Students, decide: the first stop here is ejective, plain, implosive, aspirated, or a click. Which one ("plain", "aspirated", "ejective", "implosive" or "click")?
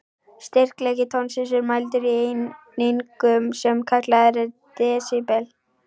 plain